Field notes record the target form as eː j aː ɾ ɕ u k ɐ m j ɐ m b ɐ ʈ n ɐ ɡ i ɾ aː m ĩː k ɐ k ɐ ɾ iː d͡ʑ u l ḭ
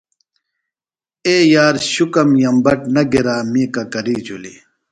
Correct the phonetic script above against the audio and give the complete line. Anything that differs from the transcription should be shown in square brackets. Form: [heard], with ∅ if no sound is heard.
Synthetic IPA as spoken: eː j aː ɾ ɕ u k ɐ m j ɐ m b ɐ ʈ n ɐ ɡ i ɾ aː m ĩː k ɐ k ɐ ɾ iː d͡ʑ u l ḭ